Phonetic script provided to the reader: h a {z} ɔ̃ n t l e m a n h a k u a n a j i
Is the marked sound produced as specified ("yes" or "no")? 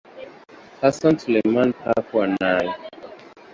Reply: no